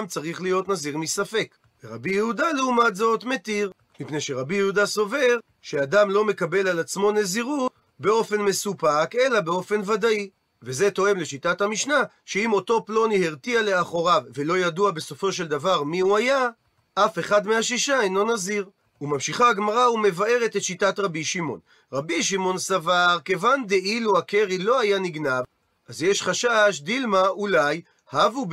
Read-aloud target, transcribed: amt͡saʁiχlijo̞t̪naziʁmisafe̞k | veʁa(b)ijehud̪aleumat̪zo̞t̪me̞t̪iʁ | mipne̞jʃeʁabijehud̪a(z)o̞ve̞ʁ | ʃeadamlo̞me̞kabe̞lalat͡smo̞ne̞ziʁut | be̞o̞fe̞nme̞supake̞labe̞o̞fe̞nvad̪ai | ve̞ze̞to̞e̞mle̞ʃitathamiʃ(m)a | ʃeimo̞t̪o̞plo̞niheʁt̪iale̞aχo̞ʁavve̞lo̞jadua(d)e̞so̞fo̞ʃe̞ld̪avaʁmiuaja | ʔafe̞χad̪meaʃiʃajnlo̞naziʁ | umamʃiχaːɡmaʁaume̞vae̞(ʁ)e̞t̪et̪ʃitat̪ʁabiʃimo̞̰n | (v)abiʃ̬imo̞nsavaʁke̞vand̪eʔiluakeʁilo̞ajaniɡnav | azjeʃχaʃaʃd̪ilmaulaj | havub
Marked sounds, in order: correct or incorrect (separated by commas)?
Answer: correct, incorrect, incorrect, incorrect, correct, incorrect